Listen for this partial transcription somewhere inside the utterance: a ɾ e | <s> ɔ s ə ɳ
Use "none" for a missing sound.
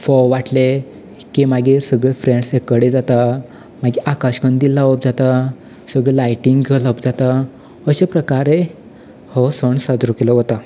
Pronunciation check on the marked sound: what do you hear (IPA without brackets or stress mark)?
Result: h